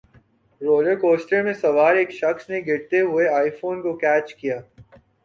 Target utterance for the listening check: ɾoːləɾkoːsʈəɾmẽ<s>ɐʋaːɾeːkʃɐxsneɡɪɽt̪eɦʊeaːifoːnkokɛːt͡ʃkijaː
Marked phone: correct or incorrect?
correct